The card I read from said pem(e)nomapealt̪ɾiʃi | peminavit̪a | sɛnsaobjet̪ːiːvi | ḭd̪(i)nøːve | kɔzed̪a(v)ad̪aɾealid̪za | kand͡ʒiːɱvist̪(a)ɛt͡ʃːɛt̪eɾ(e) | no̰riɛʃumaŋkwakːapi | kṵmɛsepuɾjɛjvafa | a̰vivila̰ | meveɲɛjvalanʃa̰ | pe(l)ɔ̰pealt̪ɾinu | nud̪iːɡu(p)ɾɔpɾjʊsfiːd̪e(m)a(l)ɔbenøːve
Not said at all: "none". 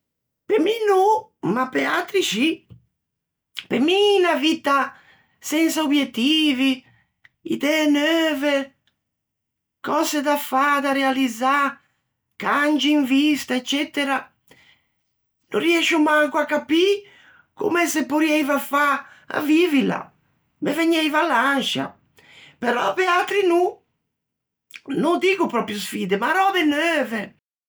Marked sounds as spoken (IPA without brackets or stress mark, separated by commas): i, ɛ, f, a, a, ɾ, p, m, ɾ